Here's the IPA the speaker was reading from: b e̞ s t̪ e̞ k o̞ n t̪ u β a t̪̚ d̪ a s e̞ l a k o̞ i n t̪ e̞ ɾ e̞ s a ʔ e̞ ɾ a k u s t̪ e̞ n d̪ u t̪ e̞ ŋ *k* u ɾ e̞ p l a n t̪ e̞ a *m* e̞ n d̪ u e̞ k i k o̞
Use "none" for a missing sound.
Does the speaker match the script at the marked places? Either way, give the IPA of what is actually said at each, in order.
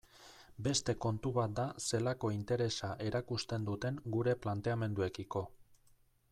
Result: ɡ, m

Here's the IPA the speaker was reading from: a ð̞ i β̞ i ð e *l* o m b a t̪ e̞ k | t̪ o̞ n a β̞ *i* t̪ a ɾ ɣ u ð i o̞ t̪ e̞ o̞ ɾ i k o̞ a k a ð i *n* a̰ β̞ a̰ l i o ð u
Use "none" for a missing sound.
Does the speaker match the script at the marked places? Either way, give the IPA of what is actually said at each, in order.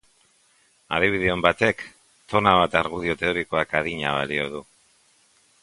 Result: none, a, ɲ

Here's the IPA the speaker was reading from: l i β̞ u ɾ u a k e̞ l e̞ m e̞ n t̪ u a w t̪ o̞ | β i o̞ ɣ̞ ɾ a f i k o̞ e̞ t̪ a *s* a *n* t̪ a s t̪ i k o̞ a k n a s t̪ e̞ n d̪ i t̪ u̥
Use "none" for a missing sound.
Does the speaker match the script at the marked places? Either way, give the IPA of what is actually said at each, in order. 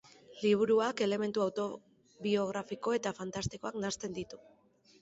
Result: f, n

